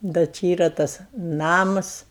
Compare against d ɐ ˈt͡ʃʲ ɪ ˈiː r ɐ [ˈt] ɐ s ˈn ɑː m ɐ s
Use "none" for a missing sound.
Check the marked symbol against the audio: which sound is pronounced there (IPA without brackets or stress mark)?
t